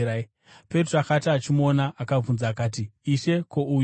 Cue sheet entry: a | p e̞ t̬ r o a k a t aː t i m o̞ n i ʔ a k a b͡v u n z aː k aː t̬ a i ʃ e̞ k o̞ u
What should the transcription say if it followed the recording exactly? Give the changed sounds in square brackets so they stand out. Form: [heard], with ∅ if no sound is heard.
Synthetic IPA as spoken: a | p e̞ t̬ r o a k a t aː [t͡ʃ] i m o̞ n [a] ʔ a k a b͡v u n z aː k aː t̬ [i] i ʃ e̞ k o̞ u